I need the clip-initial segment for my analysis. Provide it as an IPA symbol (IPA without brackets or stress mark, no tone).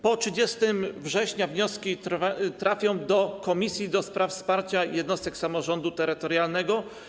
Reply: p